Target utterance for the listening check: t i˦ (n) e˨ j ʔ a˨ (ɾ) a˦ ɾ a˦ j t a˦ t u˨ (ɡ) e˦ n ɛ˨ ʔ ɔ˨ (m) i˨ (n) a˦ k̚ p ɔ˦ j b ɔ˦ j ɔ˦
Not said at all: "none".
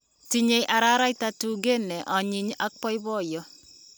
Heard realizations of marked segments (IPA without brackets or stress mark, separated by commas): ɲ, ɾ, ɡ, ɲ, ɲ